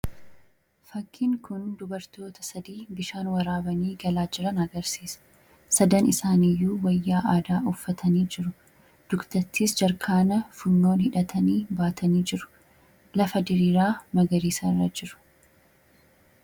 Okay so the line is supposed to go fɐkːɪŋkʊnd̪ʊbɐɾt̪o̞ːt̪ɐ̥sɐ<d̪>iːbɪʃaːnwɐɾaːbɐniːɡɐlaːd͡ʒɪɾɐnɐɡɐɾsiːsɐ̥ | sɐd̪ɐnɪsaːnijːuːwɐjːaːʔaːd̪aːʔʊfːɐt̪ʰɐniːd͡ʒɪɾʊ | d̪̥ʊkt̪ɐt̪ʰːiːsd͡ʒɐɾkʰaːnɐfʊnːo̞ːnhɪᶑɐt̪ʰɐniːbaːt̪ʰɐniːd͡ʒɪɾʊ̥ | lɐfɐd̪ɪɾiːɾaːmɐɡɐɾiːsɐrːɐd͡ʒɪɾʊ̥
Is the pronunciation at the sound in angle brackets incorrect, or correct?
correct